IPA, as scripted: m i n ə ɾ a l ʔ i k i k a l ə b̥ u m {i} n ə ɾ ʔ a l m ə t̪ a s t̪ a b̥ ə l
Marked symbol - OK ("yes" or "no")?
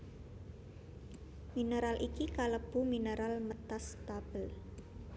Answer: yes